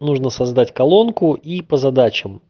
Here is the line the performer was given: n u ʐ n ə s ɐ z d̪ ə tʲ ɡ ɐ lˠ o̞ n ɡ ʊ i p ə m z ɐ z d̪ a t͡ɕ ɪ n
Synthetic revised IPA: n u ʐ n ə s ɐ z d̪ a tʲ k ɐ lˠ o̞ n k ʊ i p ə z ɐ d̪ a t͡ɕ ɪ m